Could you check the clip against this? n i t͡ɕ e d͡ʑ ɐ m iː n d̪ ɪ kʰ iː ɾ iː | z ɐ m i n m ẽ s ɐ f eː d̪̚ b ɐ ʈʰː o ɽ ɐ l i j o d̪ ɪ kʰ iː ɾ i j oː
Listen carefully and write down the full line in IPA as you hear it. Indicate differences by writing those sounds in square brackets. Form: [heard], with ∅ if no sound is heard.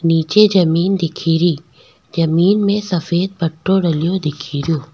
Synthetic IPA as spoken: n [iː] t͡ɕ e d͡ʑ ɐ m iː n d̪ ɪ kʰ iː ɾ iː | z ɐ m [iː] n m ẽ s ɐ f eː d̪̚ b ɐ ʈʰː o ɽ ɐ l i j o d̪ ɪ kʰ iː ɾ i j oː